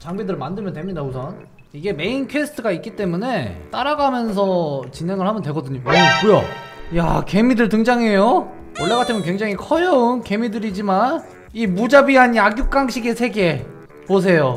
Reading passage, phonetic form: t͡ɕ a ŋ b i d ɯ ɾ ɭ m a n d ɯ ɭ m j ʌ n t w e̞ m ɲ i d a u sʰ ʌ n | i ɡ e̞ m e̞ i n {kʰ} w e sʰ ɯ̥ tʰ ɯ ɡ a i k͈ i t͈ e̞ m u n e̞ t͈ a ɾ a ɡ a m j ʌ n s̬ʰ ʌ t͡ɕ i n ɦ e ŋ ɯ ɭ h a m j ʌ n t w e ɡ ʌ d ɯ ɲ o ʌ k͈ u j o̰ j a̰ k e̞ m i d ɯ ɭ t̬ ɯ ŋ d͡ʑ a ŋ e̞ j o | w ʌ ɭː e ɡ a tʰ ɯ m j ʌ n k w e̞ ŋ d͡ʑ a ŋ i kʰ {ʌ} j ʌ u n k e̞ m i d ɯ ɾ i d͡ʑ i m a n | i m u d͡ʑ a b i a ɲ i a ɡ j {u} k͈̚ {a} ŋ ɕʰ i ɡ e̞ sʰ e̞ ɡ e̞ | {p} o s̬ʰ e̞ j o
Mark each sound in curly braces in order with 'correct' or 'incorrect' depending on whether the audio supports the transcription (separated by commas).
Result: correct, correct, correct, correct, correct